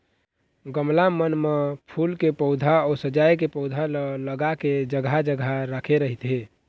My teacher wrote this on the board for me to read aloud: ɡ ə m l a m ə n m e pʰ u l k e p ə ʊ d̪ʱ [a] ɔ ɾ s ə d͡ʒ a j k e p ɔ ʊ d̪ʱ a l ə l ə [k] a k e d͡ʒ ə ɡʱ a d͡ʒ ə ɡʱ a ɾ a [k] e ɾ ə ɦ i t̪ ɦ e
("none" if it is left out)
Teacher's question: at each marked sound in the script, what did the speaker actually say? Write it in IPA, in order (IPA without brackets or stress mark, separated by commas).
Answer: a, ɡ, kʰ